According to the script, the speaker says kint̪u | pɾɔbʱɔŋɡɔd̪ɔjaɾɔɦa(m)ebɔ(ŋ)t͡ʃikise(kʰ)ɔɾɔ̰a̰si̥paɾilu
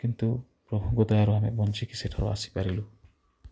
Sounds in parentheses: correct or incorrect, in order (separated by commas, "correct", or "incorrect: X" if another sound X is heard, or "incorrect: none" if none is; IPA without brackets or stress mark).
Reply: correct, incorrect: n, incorrect: ʈʰ